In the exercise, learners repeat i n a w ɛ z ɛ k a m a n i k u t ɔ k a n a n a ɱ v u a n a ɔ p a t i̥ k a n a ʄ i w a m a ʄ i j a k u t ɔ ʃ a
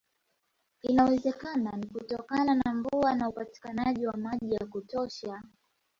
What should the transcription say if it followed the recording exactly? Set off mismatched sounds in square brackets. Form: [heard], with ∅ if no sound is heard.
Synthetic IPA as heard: i n a w ɛ z ɛ k a [n] a n i k u t ɔ k a n a n a ɱ v u a n a [u] p a t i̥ k a n a ʄ i w a m a ʄ i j a k u t ɔ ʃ a